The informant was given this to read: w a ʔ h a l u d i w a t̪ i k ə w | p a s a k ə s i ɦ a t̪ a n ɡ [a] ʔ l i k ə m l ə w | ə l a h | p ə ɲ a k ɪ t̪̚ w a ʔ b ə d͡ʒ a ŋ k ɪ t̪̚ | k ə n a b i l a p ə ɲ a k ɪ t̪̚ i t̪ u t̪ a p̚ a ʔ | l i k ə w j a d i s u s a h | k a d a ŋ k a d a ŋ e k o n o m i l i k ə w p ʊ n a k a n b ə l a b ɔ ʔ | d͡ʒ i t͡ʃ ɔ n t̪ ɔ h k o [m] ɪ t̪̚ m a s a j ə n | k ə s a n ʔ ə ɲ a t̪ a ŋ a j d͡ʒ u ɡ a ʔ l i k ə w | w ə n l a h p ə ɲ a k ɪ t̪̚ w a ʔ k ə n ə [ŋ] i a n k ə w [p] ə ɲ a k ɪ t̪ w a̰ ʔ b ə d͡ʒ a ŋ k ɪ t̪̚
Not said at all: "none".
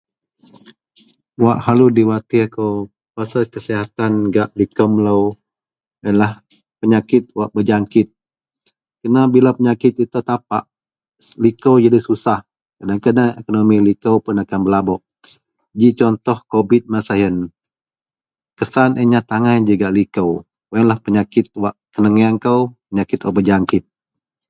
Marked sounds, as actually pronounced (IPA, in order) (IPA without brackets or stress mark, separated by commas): a, b, ŋ, p